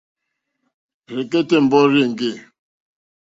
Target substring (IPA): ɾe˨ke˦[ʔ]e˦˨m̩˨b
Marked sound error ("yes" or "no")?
yes